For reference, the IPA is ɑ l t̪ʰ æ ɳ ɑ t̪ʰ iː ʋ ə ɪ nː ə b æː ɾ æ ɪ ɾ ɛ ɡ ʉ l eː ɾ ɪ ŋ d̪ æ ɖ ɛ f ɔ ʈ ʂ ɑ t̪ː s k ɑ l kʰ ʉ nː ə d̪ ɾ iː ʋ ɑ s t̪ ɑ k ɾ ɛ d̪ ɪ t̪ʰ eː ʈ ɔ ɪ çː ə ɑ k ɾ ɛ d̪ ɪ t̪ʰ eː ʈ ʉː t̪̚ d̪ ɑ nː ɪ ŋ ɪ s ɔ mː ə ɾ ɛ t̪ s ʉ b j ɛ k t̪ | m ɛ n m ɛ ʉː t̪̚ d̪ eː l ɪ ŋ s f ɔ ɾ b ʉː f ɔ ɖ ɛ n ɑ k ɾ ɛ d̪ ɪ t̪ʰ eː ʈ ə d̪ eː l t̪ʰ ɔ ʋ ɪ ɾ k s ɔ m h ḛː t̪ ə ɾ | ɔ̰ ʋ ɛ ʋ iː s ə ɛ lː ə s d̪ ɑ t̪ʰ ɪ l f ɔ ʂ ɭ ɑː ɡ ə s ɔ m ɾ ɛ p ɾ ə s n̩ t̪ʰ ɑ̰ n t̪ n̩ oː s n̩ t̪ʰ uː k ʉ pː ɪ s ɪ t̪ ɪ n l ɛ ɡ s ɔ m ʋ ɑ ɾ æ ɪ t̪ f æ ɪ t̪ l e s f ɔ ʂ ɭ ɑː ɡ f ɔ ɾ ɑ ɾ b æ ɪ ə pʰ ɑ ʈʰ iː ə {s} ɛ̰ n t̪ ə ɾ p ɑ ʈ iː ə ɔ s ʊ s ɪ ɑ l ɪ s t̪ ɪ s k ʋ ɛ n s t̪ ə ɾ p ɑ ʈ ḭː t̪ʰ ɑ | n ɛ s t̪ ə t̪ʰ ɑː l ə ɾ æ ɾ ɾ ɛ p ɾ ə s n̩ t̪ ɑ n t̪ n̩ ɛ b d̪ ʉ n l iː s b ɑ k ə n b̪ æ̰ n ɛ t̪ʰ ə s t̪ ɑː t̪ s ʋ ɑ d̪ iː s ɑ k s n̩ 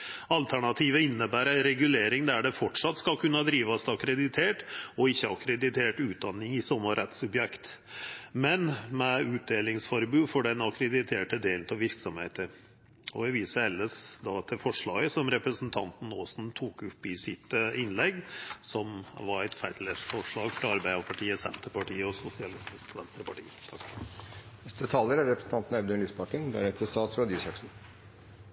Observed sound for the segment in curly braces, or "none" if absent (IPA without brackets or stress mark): s